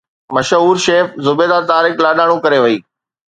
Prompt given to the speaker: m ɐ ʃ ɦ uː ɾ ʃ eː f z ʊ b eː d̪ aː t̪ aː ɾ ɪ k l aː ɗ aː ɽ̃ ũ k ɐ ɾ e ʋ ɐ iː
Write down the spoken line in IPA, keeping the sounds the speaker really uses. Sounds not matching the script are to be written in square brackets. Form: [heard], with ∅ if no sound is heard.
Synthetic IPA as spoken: m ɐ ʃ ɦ uː ɾ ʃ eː f z ʊ b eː d̪ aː t̪ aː ɾ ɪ k l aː ɗ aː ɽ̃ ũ k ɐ ɾ e ʋ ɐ iː